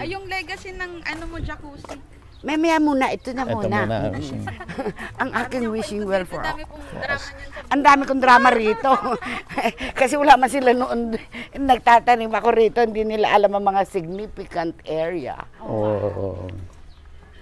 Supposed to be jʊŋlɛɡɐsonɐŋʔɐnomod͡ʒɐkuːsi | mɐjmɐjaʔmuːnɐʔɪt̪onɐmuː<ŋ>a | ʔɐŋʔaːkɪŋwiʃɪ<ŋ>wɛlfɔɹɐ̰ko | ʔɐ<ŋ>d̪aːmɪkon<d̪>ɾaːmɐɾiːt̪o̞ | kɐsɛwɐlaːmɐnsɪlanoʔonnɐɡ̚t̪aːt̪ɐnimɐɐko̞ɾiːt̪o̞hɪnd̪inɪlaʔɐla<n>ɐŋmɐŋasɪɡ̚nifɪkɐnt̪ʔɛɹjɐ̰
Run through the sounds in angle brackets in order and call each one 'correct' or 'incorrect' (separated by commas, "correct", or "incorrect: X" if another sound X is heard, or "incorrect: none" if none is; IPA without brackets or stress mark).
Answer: incorrect: n, correct, incorrect: n, correct, incorrect: m